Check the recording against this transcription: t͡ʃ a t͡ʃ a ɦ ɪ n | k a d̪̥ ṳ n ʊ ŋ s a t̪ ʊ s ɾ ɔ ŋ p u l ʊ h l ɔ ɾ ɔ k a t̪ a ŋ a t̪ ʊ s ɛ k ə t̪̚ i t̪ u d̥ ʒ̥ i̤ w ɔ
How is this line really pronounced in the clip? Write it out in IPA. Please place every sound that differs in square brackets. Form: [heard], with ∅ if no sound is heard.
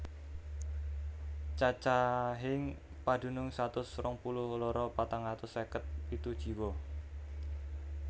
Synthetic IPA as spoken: t͡ʃ a t͡ʃ a ɦ ɪ [ŋ] | [p] a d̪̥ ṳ n ʊ ŋ s a t̪ ʊ s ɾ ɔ ŋ p u l ʊ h l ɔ ɾ ɔ [p] a t̪ a ŋ a t̪ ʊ s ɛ k ə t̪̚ i t̪ u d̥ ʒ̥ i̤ w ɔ